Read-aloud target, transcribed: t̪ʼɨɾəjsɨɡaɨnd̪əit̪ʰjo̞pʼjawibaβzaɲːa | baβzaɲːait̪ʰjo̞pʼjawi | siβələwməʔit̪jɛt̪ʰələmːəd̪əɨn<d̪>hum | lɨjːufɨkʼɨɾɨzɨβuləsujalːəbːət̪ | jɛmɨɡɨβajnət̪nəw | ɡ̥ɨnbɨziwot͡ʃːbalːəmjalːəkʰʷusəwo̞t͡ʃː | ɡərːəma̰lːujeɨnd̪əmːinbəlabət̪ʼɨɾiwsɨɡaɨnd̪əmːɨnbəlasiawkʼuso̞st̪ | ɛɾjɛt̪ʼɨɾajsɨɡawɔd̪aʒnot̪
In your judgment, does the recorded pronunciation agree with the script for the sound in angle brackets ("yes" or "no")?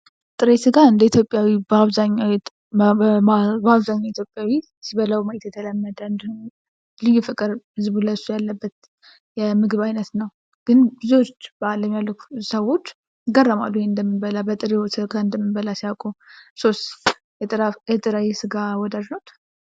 yes